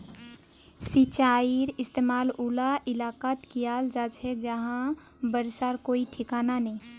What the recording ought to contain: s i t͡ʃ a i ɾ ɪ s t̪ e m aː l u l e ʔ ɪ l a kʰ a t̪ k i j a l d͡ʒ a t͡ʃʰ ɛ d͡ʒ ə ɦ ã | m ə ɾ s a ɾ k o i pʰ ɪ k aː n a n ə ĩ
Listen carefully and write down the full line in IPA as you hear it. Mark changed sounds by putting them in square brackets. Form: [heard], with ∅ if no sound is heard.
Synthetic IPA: s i t͡ʃ a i ɾ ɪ s t̪ e m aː l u l [a] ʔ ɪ l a [k] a t̪ k i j a l d͡ʒ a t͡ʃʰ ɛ d͡ʒ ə ɦ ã | [b] ə ɾ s a ɾ k o i [ʈʰ] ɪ k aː n a n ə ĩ